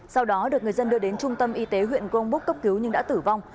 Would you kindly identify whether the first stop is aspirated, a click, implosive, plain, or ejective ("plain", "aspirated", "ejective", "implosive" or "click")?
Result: implosive